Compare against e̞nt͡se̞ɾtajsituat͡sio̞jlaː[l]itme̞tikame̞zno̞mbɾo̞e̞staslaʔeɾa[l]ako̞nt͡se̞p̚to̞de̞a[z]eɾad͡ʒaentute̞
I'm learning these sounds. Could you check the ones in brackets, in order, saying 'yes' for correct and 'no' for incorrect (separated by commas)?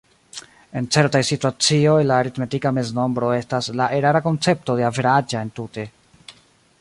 no, no, no